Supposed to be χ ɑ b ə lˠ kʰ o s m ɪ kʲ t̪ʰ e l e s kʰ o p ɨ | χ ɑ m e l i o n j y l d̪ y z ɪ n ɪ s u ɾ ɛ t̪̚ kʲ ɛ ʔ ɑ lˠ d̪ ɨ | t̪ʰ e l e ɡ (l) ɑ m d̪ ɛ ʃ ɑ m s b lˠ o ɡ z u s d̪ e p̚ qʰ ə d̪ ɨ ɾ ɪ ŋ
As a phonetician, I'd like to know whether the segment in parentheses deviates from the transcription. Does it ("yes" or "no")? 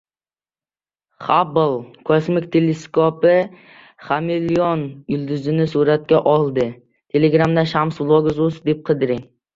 yes